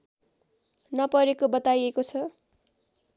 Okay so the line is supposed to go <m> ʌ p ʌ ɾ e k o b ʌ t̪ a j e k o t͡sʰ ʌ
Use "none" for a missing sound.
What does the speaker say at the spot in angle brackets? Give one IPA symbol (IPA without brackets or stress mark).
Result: n